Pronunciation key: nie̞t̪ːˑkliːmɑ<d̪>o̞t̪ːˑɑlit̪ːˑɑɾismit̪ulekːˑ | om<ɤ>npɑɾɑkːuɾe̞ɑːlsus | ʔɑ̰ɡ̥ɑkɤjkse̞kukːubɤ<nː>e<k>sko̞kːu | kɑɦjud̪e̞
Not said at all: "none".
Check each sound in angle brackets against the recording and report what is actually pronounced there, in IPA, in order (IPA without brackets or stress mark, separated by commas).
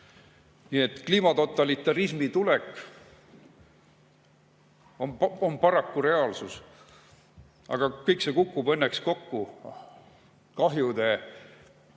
t̪, o, nː, k